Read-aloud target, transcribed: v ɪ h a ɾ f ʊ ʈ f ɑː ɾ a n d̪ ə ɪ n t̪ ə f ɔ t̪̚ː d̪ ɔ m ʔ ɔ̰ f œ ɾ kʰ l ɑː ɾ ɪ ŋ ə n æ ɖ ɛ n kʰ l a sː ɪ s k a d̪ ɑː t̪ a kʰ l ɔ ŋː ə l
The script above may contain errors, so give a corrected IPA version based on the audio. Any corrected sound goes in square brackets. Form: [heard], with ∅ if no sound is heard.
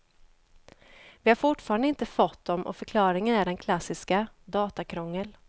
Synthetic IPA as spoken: v ɪ h a ɾ f ʊ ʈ f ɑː ɾ a n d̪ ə ɪ n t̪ ə f ɔ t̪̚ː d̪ ɔ m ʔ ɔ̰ f œ ɾ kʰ l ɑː ɾ ɪ ŋ ə n æ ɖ ɛ n kʰ l a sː ɪ s k a d̪ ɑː t̪ a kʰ [ɾ] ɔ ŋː ə l